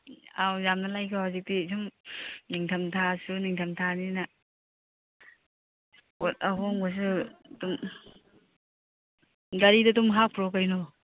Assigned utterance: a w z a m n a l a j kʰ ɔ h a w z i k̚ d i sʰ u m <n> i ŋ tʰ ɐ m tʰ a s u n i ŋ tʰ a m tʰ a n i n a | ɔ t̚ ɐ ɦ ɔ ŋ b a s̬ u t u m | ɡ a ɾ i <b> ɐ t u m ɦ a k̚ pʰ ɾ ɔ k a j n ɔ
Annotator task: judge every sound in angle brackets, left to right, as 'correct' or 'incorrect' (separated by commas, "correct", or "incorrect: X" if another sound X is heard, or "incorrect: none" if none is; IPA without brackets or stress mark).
correct, incorrect: d